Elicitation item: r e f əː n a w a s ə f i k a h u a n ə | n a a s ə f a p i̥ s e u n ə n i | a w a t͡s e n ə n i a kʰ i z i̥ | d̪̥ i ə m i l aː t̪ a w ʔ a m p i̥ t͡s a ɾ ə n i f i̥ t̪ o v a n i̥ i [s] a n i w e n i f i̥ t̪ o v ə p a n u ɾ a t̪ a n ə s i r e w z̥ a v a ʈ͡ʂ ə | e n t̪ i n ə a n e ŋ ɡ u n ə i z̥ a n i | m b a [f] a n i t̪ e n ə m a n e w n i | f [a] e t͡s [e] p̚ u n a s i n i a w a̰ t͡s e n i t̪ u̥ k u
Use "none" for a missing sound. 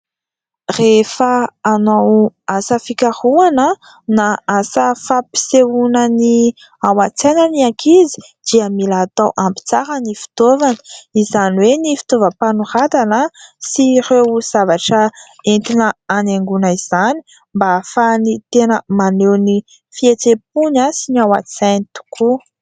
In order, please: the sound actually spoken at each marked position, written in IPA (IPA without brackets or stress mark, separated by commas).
z, f, i, e